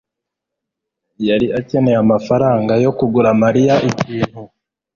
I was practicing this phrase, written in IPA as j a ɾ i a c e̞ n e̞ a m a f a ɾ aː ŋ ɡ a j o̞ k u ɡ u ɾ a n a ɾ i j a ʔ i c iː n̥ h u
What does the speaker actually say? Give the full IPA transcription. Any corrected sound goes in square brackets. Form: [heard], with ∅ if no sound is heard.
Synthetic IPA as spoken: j a ɾ i a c e̞ n e̞ a m a f a ɾ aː ŋ ɡ a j o̞ k u ɡ u ɾ a [m] a ɾ i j a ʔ i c iː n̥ h u